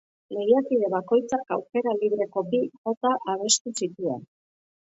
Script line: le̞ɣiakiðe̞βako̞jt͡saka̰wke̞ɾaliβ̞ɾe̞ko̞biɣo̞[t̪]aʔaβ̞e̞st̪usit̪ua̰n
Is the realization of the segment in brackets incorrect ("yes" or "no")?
no